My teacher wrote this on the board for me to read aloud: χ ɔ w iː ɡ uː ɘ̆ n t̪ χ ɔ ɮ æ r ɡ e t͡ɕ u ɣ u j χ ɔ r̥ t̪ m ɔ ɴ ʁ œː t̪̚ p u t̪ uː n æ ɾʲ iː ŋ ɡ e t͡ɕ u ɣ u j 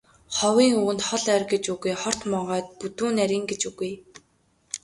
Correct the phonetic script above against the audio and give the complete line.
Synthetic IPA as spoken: χ ɔ w iː ŋ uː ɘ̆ n t̪ χ ɔ ɮ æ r ɡ e t͡ɕ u ɣ u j χ ɔ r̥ t̪ m ɔ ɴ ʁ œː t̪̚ p u t̪ uː n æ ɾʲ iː ŋ ɡ e t͡ɕ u ɣ u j

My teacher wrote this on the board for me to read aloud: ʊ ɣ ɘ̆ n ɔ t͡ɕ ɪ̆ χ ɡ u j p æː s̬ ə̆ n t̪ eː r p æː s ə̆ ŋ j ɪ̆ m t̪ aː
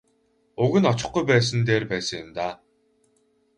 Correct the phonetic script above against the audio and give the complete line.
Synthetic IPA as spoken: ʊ ɣ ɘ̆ n ɔ t͡ɕ ɪ̆ χ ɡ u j p æː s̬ ə̆ n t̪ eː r p æː s ə̆ ŋ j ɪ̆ m t̪ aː

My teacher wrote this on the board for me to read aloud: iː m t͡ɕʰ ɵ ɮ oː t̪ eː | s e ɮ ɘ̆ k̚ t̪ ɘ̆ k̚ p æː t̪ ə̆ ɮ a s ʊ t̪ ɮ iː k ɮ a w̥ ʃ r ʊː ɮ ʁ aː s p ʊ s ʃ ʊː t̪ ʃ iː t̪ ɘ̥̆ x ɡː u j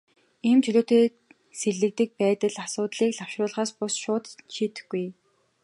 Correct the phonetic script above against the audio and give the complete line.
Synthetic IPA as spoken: iː m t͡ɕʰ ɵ ɮ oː t̪ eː | s e ɮ ɘ̆ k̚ t̪ ɘ̆ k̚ p æː t̪ ə̆ ɮ a s ʊː t̪ ɮ iː k ɮ a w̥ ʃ r ʊː ɮ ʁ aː s p ʊ s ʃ ʊː t̪ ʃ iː t̪ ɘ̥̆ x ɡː u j

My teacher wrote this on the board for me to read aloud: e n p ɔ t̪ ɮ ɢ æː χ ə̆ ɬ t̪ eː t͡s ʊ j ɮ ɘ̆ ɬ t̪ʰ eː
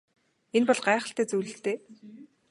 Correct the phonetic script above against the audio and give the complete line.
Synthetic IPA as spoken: e n p ɔ ɮ ɢ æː χ ə̆ ɬ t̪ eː t͡s u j ɮ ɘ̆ ɬ t̪ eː

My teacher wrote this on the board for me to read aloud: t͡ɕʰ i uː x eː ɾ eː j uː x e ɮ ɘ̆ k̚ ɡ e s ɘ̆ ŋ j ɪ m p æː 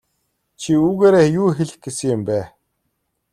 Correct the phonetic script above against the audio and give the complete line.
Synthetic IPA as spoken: t͡ɕʰ i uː ɣ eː ɾ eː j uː x e ɮ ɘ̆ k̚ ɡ e s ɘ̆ ŋ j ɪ m p æː

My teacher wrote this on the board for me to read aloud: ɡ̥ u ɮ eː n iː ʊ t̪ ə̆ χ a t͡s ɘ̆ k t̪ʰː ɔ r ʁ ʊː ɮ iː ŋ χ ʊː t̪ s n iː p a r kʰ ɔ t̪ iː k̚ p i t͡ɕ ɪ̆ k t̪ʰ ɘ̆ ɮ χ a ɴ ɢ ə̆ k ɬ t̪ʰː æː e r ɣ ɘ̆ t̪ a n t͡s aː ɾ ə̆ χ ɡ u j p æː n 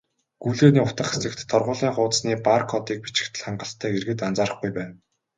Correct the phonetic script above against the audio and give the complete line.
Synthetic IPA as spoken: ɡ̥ u ɮ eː n iː ʊ t̪ ə̆ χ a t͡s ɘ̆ k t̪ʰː ɔ r ʁ ʊː ɮ iː ŋ χ ʊː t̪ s n iː p a r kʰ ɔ t̪ iː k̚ p i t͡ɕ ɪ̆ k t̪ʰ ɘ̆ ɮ χ a ɴ ɢ ə̆ ɬ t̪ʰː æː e r ɣ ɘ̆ t̪ a n t͡s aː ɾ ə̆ χ ɡ u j p æː n

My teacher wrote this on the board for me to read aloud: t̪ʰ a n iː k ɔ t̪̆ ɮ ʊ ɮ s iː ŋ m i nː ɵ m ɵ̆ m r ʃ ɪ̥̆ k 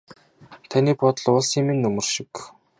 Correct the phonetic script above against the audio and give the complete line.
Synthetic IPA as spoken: t̪ʰ a n iː p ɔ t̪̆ ɮ ʊ ɮ s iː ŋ m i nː ɵ m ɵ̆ r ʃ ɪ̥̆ k

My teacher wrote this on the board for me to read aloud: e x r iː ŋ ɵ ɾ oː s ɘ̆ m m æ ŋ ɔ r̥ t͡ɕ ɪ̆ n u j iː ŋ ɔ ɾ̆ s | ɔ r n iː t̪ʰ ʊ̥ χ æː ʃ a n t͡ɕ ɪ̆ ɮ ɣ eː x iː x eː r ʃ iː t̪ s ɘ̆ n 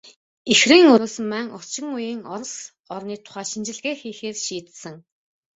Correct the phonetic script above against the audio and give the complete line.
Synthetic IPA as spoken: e x r iː ŋ ɵ ɾ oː s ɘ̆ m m æ ŋ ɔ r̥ t͡ɕ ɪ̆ ŋ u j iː ŋ ɔ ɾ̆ s | ɔ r n iː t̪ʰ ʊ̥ χ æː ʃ i n t͡ɕ ɪ̆ ɮ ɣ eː x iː x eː r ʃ iː t̪ s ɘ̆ ŋ

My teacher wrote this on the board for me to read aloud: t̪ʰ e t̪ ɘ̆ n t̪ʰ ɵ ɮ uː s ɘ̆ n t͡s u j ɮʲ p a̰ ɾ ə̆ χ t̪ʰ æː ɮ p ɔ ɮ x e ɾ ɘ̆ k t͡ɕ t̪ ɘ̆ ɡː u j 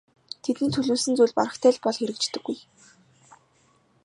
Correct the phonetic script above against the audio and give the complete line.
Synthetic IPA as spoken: t̪ʰ e t̪ ɘ̆ n t̪ʰ ɵ ɮ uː s ɘ̆ n t͡s u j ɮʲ p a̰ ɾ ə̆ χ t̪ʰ æː ɮ p ɔ ɮ x e ɾ ɘ̆ k t͡ɕ t̪ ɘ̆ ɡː u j

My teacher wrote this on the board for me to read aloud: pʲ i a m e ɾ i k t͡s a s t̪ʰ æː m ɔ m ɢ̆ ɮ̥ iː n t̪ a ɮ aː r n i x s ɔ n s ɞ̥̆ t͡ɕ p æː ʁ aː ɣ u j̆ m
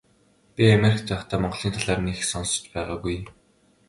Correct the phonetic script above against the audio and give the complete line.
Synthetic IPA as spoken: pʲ i a m e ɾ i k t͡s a χ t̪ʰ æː m ɔ ɴ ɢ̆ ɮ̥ iː n t̪ʰ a ɮ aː r n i x s ɔ n s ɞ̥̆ t͡ɕ p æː ʁ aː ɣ u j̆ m

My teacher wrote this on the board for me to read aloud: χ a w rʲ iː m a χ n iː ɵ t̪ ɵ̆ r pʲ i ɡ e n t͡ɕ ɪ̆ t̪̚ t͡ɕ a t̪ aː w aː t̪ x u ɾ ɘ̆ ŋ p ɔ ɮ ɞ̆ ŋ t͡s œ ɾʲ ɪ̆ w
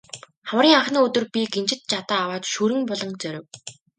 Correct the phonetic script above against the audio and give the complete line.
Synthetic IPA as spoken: χ a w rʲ iː ŋ a χ n iː ɵ t̪ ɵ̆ r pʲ i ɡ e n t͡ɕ ɪ̆ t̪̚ t͡ɕ a t̪ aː w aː t̪ ʃ u ɾ ɘ̆ ŋ p ɔ ɮ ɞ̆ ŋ t͡s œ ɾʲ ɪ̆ w

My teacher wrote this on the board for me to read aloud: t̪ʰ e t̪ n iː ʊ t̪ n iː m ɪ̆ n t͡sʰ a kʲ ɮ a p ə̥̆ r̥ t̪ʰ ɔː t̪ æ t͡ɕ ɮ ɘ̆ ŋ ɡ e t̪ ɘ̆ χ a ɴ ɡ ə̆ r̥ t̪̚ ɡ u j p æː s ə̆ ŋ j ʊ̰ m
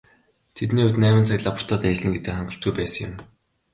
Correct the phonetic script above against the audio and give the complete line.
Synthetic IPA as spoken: t̪ʰ e t̪ n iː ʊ t̪ n æː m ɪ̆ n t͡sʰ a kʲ ɮ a p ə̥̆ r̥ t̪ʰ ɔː t̪ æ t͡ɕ ɮ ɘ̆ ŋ ɡ e t̪ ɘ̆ χ a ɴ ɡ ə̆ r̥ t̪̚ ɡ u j p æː s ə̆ ŋ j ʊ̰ m

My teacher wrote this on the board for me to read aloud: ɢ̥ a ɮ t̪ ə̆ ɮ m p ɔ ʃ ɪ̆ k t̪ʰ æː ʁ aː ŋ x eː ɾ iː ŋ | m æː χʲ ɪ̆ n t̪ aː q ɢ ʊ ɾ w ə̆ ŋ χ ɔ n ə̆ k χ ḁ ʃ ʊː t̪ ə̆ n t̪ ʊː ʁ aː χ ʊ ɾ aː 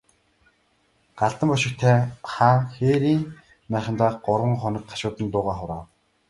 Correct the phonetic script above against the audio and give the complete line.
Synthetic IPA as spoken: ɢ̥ a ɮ t̪ ə̆ m p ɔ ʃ ɪ̆ k t̪ʰ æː χ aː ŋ x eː ɾ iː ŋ | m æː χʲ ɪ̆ n t̪ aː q ɢ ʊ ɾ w ə̆ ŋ χ ɔ n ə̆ k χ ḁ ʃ ʊː t̪ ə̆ n t̪ ʊː ʁ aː χ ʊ ɾ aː

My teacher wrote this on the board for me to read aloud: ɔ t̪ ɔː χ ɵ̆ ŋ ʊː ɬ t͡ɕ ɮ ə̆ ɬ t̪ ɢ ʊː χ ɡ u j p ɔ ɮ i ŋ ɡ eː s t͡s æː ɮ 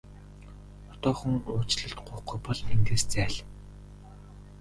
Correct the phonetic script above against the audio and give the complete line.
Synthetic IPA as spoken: ɔ t̪ ɔː χ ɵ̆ ŋ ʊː t͡ɕ ɮ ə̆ ɬ t̪ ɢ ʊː χ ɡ u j p ɔ ɮ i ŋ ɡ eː s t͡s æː ɮ

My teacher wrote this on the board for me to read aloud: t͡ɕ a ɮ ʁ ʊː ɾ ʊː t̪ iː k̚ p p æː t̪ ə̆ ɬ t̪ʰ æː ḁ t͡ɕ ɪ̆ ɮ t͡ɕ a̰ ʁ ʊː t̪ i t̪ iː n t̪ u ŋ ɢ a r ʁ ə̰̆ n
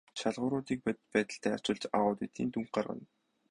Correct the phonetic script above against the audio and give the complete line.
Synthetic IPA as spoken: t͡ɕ a ɮ ʁ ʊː ɾ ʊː t̪ iː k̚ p p æː t̪ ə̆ ɬ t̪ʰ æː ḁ t͡ɕ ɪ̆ ɮ t͡ɕ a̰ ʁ ʊː t̪ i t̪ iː n t̪ u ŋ ɢ a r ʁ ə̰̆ n

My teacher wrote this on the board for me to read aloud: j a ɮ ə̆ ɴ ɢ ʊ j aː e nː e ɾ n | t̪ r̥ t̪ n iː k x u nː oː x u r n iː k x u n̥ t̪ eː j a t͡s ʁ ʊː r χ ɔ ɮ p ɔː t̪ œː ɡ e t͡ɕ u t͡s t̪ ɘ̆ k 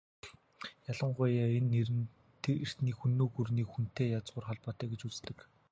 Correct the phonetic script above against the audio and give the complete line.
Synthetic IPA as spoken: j a ɮ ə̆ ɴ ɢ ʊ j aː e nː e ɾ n | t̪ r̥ t̪ n iː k x u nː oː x u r n iː k x u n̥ t̪ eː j a t͡s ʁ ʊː r χ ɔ ɮ p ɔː t̪ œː ɡ e t͡ɕ u t͡s t̪ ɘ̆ k

